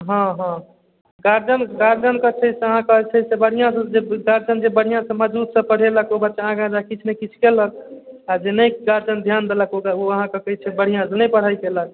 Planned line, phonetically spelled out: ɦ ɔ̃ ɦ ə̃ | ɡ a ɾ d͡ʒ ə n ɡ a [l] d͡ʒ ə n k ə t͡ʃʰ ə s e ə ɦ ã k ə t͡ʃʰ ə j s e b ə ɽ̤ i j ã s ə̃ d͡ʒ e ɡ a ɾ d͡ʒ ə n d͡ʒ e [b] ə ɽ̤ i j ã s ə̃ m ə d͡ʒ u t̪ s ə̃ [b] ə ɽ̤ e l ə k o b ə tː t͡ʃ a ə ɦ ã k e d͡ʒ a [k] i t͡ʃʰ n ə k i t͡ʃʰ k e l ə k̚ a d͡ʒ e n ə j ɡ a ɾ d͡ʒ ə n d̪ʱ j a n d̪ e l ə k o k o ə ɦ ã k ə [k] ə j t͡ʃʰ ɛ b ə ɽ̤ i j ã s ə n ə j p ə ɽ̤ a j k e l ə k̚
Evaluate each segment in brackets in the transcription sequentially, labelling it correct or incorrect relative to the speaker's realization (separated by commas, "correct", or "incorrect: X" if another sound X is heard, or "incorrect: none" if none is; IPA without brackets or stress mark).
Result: incorrect: ɾ, correct, incorrect: p, correct, correct